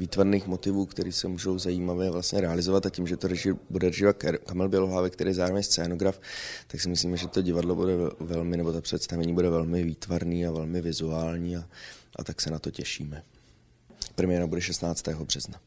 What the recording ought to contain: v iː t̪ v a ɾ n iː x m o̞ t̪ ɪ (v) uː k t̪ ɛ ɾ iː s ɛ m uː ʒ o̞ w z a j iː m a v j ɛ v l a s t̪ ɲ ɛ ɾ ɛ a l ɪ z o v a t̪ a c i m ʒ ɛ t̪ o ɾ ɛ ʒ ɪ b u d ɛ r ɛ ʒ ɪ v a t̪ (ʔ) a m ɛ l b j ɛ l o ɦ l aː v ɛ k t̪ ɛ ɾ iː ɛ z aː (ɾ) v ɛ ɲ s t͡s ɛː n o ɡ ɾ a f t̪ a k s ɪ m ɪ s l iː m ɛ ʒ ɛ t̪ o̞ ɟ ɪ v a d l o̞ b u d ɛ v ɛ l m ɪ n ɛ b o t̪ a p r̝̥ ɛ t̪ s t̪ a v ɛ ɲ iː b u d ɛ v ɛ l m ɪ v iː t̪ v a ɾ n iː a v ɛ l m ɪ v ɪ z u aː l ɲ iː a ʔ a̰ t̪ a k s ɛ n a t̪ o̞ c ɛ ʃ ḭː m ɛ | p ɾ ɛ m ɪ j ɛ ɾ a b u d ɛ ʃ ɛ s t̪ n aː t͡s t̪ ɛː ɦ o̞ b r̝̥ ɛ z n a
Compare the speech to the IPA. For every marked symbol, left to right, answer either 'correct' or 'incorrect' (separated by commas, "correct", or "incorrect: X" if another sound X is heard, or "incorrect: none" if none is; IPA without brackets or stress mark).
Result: correct, incorrect: k, correct